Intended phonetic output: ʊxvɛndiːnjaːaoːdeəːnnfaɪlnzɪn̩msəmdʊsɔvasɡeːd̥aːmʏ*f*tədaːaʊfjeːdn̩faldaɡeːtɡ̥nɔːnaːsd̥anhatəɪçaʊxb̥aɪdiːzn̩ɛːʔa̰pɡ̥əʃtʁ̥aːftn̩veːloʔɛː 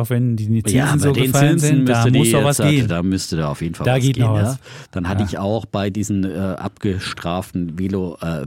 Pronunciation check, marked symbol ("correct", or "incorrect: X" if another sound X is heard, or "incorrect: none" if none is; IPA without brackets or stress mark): incorrect: s